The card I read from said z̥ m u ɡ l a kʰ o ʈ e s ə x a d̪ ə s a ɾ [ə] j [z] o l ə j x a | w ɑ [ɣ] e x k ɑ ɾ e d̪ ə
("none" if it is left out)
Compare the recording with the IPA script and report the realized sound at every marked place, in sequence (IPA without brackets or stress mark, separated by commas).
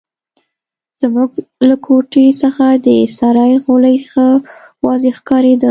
ɑ, ɣ, z